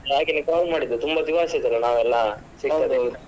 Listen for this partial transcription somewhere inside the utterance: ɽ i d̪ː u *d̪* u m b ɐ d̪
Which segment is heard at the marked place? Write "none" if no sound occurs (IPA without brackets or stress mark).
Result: t̪